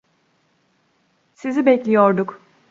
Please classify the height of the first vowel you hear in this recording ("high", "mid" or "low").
high